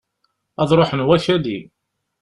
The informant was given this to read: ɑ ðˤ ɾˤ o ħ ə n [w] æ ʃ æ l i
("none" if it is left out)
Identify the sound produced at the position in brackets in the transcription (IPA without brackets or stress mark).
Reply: w